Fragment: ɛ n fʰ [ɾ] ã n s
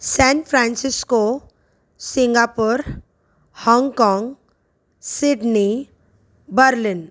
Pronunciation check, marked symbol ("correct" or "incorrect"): correct